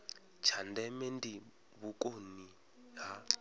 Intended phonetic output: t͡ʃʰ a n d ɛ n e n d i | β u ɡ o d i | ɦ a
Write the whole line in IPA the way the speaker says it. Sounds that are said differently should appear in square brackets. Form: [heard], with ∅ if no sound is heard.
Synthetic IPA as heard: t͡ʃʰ a n d ɛ [m] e n d i | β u [k] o [n] i | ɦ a

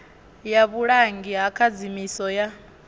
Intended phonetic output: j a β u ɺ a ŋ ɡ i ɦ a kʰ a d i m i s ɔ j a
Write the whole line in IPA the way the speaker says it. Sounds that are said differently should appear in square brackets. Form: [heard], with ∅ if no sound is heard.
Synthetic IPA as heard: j a β u ɺ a ŋ ɡ i ɦ a kʰ a [d͡z] i m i s ɔ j a

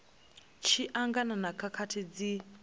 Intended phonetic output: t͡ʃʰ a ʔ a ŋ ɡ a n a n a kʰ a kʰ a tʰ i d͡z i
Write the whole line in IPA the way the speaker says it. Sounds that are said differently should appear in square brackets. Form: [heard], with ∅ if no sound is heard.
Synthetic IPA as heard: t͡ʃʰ [i] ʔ a ŋ ɡ a n a n a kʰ a kʰ a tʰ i d͡z i

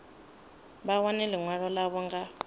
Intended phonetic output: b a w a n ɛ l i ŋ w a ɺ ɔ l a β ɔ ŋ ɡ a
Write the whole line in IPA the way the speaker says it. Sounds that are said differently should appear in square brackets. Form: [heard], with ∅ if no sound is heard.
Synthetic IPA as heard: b a w a n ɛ l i ŋ w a ɺ ɔ l a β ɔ ŋ ɡ a

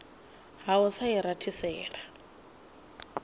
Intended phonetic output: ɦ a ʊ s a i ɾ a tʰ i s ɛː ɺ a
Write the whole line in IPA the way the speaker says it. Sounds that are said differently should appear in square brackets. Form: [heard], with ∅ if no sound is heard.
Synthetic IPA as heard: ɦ a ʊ s a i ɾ a tʰ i s ɛː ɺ a

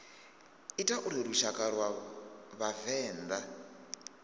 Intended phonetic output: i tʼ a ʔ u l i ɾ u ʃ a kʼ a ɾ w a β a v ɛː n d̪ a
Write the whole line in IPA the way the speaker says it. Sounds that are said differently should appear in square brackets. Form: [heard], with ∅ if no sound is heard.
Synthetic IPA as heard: i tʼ a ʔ u [ɾ] i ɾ u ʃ a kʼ a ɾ w a β a v ɛː n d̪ a

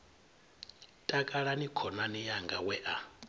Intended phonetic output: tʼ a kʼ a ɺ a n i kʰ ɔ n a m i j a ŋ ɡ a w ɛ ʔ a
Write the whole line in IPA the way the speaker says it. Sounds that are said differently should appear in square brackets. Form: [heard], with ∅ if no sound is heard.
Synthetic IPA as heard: tʼ a kʼ a ɺ a n i kʰ ɔ n a [n] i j a ŋ ɡ a w ɛ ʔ a

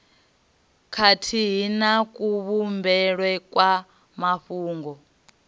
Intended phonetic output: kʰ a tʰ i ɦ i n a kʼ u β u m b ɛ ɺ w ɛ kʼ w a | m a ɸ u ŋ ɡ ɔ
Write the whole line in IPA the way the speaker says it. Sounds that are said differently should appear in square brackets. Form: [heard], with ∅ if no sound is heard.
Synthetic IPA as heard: kʰ a tʰ i ɦ i n a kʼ u β u m b ɛ ɺ w ɛ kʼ w a | m a ɸ [uː] ŋ ɡ ɔ

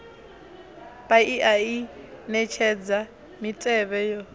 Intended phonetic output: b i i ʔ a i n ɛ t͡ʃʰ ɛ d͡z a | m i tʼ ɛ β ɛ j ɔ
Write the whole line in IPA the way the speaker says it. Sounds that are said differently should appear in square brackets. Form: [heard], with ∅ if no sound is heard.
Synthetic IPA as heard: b [a] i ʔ a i n ɛ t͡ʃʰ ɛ d͡z a | m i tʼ ɛ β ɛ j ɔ

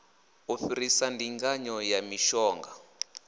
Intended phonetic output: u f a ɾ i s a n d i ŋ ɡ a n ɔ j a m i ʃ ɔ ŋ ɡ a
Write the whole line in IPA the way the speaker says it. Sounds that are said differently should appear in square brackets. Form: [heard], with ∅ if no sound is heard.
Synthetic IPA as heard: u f [i] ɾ i s a n d i ŋ ɡ a [ɲ] ɔ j a m i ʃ [ɔː] ŋ ɡ a

